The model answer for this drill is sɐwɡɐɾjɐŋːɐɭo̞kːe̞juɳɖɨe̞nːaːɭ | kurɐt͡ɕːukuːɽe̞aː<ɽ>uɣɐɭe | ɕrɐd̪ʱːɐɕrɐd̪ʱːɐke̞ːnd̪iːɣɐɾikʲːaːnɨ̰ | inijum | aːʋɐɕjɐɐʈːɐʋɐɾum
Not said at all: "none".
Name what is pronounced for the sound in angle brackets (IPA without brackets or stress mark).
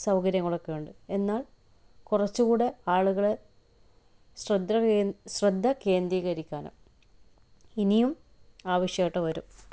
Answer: ɭ